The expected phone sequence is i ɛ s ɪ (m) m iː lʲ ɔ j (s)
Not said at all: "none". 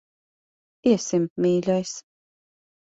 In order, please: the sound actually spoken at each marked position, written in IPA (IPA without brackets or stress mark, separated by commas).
m, s